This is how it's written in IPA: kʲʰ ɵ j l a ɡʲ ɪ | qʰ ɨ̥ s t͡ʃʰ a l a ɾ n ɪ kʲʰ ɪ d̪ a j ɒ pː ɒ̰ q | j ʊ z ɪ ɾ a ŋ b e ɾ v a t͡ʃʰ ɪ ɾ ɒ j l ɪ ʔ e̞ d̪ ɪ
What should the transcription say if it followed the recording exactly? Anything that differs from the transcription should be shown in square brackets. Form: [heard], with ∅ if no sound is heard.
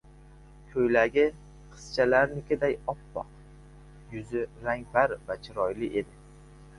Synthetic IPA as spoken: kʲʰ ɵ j l a ɡʲ ɪ | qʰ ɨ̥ s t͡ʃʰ a l a ɾ n ɪ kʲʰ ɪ d̪ a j ɒ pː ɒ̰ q | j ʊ z ɪ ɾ a ŋ b [a] ɾ v a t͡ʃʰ ɪ ɾ ɒ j l ɪ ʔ e̞ d̪ ɪ